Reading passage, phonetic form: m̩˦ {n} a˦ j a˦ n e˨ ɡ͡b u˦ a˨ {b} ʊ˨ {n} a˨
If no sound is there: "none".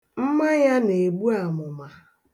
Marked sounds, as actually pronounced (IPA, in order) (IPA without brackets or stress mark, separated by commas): m, m, m